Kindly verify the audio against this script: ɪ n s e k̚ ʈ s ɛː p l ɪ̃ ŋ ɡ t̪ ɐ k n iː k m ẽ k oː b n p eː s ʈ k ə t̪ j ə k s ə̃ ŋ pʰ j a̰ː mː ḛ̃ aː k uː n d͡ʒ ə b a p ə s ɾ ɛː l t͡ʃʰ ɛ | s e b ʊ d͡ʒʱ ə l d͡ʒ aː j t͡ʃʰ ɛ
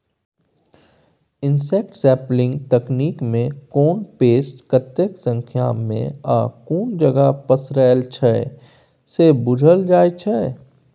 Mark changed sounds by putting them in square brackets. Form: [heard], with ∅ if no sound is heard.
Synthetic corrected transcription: ɪ n s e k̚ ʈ s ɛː p l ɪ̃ ŋ ɡ t̪ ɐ k n iː k m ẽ k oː [∅] n p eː s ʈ k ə t̪ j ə k s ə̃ ŋ [kʰ] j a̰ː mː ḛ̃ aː k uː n d͡ʒ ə [ɡ] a p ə s ɾ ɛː l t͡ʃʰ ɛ | s e b ʊ d͡ʒʱ ə l d͡ʒ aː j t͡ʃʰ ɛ